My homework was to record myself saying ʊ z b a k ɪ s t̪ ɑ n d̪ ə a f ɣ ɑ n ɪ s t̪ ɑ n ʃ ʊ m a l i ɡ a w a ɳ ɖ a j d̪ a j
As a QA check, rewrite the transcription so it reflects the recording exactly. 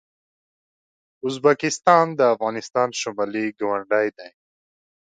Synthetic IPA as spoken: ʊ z b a k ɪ s t̪ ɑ n d̪ ə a f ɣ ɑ n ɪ s t̪ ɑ n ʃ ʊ m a l i ɡ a w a ɳ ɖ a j d̪ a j

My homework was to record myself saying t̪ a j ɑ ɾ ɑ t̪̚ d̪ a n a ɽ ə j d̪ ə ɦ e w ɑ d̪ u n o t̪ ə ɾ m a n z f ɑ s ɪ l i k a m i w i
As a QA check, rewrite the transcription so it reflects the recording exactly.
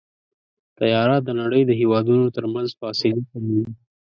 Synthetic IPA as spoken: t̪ a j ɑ ɾ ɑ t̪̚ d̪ ə n a ɽ ə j d̪ ə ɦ e w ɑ d̪ u n o t̪ ə ɾ m a n z f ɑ s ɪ l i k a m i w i

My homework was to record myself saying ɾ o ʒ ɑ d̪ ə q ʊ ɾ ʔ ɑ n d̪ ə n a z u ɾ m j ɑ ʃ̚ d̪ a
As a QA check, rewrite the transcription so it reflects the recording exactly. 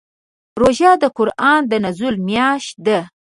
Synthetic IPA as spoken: ɾ o ʒ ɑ d̪ ə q ʊ ɾ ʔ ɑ n d̪ ə n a z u l m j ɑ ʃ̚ d̪ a

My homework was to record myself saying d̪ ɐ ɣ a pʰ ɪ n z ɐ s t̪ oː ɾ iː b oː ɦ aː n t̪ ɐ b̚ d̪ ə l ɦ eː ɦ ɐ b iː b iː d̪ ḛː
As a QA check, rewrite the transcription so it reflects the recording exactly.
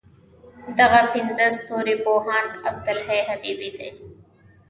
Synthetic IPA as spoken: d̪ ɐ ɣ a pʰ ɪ n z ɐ s t̪ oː ɾ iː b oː ɦ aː n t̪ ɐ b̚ d̪ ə l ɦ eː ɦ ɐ b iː b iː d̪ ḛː

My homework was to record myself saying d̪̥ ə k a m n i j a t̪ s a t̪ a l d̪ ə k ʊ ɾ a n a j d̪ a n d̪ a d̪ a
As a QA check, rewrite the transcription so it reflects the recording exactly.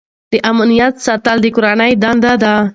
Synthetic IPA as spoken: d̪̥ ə ʔ a m n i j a t̪ s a t̪ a l d̪ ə k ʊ ɾ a n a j d̪ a n d̪ a d̪ a

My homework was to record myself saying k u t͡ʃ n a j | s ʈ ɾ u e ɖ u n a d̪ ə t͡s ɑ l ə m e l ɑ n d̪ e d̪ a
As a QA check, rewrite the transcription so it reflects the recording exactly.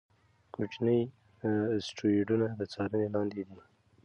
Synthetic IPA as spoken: k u t͡ʃ n ə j | s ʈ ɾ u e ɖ u n a d̪ ə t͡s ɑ ɾ ə n e l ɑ n d̪ e d̪ i

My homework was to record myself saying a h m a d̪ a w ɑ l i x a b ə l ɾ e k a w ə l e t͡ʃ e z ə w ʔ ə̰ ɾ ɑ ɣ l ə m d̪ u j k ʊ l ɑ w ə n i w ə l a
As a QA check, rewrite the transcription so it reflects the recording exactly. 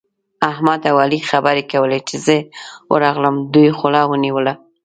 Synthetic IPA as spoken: a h m a d̪ a w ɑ l i x a b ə ɾ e k a w ə l e t͡ʃ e z ə w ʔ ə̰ ɾ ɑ ɣ l ə m d̪ u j x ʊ l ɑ w ə n i w ə l a

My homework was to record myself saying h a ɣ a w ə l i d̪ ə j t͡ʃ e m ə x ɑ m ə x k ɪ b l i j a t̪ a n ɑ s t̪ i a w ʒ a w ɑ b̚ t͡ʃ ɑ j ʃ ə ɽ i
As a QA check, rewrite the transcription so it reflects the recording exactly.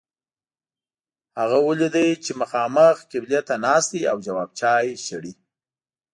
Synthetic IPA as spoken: h a ɣ a w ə l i d̪ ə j t͡ʃ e m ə x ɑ m ə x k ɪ b l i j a t̪ a n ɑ s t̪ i a w d͡ʒ a w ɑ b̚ t͡ʃ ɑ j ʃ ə ɽ i

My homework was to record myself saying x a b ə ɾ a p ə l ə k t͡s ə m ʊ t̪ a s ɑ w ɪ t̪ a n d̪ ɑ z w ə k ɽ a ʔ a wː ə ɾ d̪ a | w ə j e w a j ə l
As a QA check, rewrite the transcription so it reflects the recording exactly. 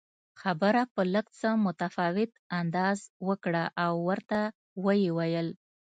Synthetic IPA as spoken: x a b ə ɾ a p ə l ə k t͡s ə m ʊ t̪ a f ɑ w ɪ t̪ a n d̪ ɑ z w ə k ɽ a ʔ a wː ə ɾ t̪ a | w ə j e w a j ə l

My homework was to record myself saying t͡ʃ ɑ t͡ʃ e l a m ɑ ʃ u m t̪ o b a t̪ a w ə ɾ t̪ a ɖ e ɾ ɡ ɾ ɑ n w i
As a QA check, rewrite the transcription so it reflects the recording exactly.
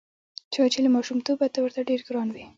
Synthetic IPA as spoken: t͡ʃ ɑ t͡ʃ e l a m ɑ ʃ u m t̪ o b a t̪ a w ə ɾ t̪ a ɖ e ɾ ɡ ɾ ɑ n w i

